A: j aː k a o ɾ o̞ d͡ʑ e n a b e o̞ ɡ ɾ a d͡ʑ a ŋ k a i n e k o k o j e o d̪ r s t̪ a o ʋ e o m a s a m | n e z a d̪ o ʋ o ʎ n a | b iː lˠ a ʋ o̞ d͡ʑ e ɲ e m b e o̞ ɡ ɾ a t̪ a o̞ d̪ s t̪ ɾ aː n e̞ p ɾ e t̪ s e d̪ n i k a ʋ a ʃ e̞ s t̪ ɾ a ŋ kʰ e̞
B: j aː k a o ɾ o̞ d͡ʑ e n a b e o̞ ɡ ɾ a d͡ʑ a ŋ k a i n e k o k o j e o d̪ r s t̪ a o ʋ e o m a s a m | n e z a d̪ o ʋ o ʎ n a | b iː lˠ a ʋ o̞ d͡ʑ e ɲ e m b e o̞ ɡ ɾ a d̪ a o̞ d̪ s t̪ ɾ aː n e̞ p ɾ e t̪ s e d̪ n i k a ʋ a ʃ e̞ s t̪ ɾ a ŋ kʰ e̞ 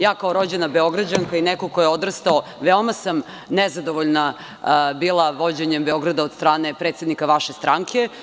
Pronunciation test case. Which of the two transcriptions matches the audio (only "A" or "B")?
B